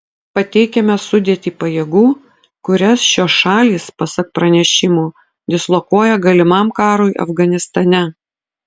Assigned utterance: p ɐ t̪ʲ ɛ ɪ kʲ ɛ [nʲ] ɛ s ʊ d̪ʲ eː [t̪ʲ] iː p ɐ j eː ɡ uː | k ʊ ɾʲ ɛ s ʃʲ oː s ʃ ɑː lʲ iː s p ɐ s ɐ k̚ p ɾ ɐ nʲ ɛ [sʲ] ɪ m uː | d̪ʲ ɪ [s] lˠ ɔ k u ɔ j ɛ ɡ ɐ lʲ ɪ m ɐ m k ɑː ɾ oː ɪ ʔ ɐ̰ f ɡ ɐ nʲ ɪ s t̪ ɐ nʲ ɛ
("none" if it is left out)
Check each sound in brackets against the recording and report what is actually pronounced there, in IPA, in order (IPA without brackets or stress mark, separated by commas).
mʲ, t̪ʲ, ʃʲ, s